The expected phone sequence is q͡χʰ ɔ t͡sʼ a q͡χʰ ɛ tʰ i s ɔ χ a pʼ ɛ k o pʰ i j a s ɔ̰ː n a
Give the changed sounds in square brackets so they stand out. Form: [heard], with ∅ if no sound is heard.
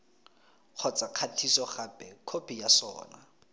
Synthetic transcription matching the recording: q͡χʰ ɔ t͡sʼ a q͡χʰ [a] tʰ i s ɔ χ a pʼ ɛ [kʰ] o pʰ i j a s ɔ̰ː n a